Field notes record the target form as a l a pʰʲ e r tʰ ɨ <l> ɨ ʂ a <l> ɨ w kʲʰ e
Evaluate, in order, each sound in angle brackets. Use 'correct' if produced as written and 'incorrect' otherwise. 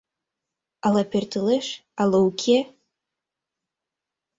correct, correct

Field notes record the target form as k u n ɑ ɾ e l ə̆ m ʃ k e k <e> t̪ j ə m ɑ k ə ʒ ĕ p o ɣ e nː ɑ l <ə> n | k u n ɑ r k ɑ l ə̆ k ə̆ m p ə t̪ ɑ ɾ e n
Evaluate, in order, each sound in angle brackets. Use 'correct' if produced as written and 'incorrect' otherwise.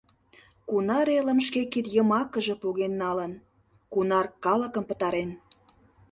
incorrect: i, correct

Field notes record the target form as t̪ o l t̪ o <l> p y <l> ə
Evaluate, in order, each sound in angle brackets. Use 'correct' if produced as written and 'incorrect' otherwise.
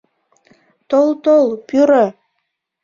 correct, incorrect: ɾ

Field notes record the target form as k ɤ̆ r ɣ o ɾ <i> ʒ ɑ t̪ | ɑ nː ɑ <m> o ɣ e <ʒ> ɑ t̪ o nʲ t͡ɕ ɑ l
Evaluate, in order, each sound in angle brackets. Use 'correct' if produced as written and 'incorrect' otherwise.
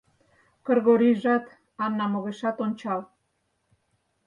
correct, correct, incorrect: ʃ

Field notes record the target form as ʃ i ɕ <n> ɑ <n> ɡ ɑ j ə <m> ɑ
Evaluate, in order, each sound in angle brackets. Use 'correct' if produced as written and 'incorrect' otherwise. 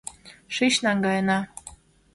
correct, incorrect: ŋ, incorrect: n

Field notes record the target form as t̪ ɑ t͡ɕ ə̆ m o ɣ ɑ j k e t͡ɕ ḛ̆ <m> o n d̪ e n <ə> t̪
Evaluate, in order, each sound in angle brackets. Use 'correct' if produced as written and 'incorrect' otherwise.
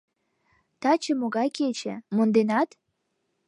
correct, incorrect: ɑ

